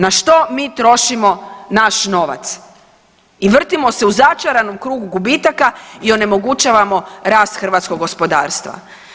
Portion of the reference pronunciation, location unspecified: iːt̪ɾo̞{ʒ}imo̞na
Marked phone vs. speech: incorrect: ʃ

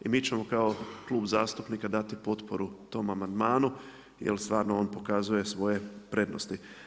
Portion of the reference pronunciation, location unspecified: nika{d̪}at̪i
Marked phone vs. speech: correct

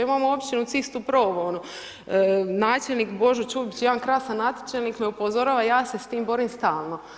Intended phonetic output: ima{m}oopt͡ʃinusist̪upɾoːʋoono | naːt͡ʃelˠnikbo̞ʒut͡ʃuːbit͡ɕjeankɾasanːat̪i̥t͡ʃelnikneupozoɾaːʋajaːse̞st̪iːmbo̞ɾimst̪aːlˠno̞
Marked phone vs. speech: correct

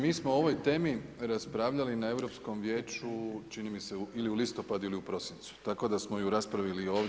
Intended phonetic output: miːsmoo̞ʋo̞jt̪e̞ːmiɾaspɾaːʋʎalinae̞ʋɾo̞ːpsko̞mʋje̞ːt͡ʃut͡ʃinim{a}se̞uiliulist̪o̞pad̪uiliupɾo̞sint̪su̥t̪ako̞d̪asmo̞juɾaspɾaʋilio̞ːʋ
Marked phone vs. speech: incorrect: i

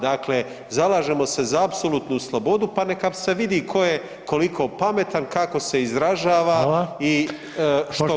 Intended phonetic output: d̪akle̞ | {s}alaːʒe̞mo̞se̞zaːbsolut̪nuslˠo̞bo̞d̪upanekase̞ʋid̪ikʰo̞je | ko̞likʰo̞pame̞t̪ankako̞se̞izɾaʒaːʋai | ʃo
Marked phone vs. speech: incorrect: z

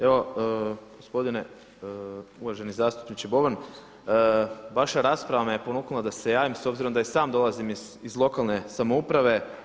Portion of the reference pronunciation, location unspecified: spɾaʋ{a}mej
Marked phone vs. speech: correct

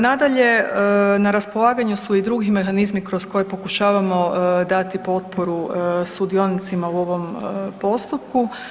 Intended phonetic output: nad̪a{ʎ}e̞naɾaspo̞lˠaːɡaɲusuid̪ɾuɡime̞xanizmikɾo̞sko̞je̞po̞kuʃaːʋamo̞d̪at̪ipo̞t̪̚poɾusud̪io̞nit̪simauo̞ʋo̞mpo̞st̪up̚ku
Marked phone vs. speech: correct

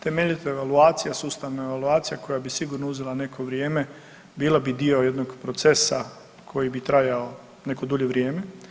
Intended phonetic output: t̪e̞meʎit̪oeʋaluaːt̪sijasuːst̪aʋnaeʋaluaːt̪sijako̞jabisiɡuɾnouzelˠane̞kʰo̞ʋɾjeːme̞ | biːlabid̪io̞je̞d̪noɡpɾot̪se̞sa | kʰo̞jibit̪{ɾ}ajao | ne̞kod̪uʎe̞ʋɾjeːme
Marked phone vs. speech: correct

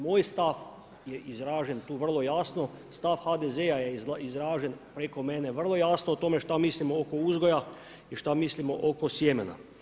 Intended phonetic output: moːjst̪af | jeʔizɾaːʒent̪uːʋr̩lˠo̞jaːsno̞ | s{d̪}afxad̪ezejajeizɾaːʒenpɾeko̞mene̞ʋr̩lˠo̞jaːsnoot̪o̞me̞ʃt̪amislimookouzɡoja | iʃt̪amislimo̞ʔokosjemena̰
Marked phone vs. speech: incorrect: t̪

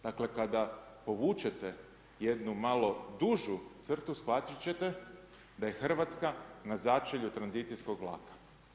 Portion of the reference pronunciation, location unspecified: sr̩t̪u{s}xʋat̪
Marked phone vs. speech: correct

